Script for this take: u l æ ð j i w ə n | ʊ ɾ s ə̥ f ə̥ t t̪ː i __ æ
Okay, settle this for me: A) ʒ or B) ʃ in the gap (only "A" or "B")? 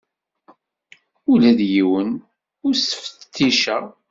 B